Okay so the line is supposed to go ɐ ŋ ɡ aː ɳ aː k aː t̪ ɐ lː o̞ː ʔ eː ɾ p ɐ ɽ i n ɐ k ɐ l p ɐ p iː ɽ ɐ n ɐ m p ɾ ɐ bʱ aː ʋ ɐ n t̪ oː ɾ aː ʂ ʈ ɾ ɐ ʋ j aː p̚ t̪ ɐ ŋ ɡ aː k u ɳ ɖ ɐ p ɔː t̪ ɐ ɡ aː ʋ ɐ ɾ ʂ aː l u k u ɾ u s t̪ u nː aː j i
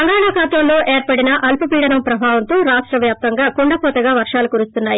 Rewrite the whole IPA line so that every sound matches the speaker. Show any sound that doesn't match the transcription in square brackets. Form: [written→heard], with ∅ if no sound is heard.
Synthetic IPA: ɐ ŋ ɡ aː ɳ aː k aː t̪ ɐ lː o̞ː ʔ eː ɾ p ɐ ɽ i n ɐ [k→ʔ] ɐ l p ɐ p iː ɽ ɐ n ɐ m p ɾ ɐ bʱ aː ʋ ɐ n t̪ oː ɾ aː ʂ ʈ ɾ ɐ ʋ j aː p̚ t̪ ɐ ŋ ɡ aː k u ɳ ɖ ɐ p ɔː t̪ ɐ ɡ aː ʋ ɐ ɾ ʂ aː l u k u ɾ u s t̪ u nː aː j i

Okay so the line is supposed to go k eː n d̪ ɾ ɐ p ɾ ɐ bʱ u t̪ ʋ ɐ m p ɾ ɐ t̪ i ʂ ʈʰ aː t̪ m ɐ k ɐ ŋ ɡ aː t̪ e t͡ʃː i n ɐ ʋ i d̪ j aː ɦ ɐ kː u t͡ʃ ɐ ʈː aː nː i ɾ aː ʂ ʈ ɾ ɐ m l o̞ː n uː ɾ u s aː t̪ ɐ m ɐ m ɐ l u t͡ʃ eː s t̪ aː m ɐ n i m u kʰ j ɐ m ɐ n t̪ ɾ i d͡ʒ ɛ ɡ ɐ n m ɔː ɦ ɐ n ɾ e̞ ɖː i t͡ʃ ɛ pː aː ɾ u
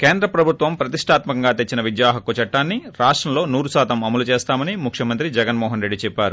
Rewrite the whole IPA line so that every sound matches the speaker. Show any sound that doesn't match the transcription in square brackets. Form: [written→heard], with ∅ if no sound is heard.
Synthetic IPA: k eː n d̪ ɾ ɐ p ɾ ɐ bʱ u t̪ ʋ ɐ m p ɾ ɐ t̪ i ʂ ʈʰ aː t̪ m ɐ k ɐ ŋ ɡ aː t̪ e t͡ʃː i n ɐ ʋ i d̪ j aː ɦ ɐ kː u t͡ʃ ɐ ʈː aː nː i ɾ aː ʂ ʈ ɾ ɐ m l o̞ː n uː ɾ u s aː t̪ ɐ m ɐ m ɐ l u t͡ʃ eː s t̪ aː m ɐ n i m u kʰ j ɐ m ɐ n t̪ ɾ i d͡ʒ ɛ ɡ ɐ n m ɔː ɦ ɐ n ɾ e̞ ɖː i t͡ʃ ɛ pː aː ɾ u

